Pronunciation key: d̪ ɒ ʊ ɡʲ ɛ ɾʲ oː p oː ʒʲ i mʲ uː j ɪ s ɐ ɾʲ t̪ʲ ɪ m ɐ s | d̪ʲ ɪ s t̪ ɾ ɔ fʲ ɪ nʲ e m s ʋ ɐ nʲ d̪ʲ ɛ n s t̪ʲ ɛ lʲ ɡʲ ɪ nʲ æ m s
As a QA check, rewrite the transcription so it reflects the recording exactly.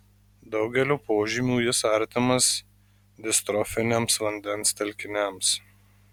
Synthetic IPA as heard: d̪ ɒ ʊ ɡʲ ɛ lʲ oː p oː ʒʲ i mʲ uː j ɪ s ɐ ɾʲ t̪ʲ ɪ m ɐ s | d̪ʲ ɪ s t̪ ɾ ɔ fʲ ɪ nʲ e m s ʋ ɐ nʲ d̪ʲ ɛ n s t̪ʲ ɛ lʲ kʲ ɪ nʲ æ m s